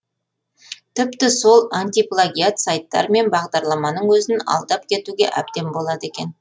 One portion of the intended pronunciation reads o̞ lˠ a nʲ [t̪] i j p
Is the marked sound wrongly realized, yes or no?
no